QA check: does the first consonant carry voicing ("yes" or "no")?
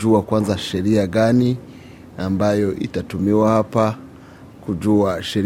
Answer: no